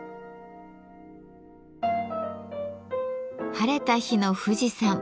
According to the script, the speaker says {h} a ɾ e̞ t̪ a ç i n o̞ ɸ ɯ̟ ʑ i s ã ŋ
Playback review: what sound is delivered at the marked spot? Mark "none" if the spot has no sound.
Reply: h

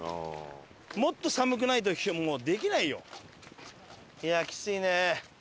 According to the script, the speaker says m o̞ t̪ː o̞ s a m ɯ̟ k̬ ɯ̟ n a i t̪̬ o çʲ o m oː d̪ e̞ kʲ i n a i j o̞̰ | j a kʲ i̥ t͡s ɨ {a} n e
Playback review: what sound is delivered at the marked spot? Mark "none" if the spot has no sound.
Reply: i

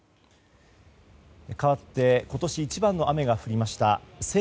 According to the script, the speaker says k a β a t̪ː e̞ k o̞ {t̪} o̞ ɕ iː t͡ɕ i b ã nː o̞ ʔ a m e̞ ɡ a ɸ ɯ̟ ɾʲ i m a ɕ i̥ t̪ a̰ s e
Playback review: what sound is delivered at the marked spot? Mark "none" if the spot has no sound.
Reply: t̪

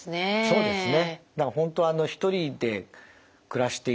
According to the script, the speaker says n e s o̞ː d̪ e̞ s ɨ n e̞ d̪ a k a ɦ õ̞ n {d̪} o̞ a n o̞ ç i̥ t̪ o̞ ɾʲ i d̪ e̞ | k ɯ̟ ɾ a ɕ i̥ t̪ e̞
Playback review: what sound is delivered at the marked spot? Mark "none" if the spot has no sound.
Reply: t̪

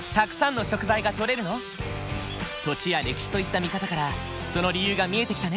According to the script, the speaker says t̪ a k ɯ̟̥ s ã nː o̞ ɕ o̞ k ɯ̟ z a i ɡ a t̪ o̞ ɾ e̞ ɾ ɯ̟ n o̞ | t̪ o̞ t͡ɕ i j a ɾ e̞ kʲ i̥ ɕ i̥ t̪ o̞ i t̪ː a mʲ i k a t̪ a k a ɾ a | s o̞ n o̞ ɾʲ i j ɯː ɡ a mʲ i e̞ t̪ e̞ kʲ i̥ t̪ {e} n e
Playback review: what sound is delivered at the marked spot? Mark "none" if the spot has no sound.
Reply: a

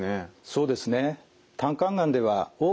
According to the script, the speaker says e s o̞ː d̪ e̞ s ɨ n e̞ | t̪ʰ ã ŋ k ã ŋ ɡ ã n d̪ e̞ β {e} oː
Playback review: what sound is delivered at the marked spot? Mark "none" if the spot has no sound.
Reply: a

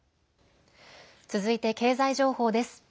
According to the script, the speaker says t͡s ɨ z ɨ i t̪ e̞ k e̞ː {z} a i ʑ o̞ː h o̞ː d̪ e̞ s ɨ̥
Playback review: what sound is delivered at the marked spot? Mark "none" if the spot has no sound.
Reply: z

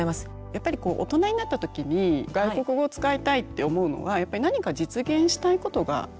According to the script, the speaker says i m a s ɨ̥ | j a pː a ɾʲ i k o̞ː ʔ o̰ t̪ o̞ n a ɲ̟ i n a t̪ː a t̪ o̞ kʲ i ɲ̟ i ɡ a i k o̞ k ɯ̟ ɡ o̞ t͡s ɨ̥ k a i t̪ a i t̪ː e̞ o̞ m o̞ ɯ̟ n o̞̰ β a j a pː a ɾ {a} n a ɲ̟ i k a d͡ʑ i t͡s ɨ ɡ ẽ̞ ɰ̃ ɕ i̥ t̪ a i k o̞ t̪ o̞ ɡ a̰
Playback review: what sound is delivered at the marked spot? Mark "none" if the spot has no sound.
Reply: i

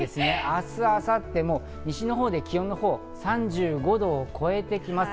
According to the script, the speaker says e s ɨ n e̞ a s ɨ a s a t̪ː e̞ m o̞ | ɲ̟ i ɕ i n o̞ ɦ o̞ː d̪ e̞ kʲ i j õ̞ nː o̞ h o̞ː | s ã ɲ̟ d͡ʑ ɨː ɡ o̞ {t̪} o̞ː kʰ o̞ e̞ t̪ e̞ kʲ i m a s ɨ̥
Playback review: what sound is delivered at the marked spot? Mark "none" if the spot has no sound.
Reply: d̪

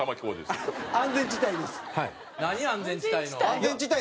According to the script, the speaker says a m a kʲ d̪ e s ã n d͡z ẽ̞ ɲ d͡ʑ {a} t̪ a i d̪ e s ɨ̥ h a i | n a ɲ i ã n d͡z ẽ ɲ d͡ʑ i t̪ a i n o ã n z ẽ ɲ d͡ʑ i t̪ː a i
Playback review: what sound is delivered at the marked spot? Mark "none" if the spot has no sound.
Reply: i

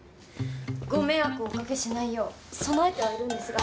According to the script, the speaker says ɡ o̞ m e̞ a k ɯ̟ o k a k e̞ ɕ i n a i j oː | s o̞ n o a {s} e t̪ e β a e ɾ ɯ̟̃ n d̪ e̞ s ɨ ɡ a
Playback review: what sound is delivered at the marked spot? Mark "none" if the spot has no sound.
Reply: none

